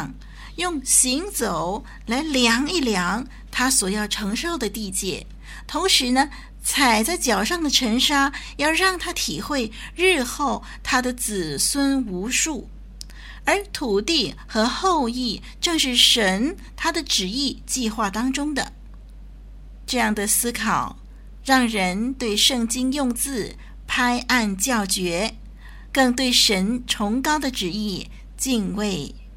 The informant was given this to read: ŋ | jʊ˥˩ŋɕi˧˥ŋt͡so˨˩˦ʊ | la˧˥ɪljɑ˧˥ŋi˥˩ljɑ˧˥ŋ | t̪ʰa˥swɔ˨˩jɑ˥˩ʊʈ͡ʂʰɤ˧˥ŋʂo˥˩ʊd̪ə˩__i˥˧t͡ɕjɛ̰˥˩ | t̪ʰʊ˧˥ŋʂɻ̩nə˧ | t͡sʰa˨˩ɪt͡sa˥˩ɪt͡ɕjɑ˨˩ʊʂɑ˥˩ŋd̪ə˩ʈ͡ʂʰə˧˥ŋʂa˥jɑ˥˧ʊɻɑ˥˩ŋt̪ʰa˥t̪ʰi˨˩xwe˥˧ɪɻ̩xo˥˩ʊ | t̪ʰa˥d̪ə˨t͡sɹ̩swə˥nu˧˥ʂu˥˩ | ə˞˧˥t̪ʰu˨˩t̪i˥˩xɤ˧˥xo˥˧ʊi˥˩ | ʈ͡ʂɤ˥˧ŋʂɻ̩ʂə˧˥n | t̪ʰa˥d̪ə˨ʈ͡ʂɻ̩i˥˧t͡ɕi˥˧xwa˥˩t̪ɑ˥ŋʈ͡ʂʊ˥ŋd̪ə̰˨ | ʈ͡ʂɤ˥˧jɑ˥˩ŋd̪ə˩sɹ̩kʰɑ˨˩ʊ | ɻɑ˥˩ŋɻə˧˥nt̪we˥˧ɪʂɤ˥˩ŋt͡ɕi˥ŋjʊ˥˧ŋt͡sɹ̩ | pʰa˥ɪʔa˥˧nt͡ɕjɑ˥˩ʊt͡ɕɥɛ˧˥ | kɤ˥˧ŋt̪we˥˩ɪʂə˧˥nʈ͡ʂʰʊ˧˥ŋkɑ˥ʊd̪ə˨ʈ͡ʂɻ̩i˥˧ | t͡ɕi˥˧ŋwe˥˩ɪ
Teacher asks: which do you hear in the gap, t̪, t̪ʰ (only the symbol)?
t̪